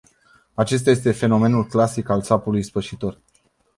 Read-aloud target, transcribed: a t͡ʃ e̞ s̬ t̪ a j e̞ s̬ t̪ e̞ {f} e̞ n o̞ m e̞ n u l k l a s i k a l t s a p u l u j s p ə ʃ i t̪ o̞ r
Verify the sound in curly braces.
correct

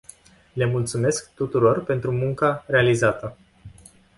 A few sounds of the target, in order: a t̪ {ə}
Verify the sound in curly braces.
correct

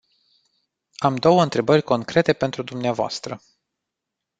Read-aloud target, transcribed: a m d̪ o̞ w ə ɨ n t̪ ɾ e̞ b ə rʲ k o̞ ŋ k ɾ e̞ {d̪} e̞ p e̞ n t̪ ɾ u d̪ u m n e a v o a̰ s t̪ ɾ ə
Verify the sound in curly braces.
incorrect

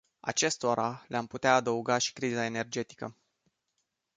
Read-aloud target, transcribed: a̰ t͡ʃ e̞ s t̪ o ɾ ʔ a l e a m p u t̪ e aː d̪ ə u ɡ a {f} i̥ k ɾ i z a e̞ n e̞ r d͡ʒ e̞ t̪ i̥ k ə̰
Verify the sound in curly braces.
incorrect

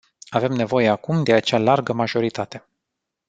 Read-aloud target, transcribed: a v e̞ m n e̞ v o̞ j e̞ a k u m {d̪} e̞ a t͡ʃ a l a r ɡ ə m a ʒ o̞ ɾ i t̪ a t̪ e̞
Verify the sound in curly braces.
correct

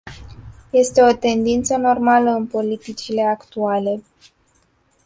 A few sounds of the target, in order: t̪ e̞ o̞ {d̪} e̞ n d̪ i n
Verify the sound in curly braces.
incorrect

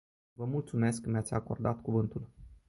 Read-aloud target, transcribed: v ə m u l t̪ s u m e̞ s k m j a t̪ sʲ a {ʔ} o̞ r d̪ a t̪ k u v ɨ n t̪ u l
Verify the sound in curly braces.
incorrect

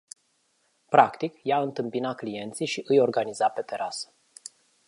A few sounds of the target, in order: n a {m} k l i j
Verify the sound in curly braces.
incorrect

